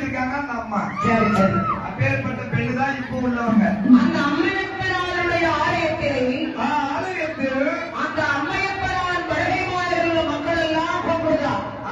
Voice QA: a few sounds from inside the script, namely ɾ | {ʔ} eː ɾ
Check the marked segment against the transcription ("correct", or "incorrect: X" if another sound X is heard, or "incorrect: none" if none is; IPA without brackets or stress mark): incorrect: p